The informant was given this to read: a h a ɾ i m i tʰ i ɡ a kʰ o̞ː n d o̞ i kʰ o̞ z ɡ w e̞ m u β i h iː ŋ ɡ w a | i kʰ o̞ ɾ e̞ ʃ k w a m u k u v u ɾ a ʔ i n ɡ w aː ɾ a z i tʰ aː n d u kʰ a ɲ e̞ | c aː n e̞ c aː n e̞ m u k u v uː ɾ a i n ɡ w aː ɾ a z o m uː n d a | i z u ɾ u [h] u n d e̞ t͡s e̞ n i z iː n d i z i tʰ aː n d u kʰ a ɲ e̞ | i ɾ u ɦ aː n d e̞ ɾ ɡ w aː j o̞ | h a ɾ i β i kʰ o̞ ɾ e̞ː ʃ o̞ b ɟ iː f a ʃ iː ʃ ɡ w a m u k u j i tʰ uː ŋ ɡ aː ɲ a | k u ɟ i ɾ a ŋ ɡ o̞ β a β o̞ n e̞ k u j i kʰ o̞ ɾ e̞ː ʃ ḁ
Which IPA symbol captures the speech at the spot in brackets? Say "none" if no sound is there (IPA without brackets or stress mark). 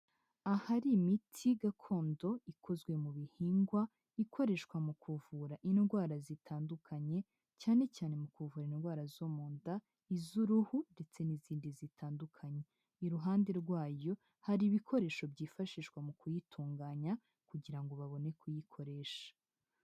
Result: h